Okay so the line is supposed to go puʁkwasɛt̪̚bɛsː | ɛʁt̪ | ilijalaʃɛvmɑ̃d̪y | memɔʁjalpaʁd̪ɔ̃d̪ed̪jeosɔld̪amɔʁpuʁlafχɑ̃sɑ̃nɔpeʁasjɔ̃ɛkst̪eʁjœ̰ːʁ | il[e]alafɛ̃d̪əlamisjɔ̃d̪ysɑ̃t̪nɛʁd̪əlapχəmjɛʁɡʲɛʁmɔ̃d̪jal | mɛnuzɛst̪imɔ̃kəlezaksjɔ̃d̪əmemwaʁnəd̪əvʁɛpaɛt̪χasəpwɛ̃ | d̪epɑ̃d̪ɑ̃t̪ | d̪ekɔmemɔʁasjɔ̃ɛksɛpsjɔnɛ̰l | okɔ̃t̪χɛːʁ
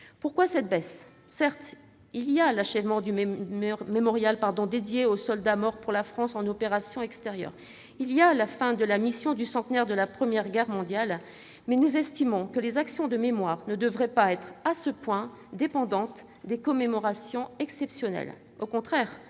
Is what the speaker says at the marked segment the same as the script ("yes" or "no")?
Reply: no